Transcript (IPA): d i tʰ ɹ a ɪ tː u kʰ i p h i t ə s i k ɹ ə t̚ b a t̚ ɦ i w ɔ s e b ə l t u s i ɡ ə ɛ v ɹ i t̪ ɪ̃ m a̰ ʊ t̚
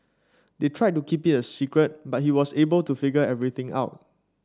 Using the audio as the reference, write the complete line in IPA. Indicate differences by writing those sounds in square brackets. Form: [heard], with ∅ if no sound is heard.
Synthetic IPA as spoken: d [e] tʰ ɹ a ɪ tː u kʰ i p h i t ə s i k ɹ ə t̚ b a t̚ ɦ i w ɔ s e b ə l t u [f] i ɡ ə ɛ v ɹ i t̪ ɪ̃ [ŋ] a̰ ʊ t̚